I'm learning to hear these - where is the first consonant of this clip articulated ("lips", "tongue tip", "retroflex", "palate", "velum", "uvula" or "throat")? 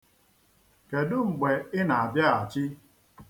velum